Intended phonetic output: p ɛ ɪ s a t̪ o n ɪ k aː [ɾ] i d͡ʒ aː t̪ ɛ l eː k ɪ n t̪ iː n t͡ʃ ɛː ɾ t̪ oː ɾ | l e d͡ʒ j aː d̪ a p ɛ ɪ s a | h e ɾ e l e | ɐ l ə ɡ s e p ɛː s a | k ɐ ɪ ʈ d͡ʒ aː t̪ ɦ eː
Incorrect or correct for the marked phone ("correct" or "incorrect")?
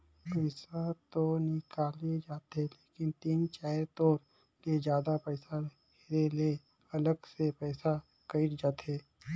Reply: incorrect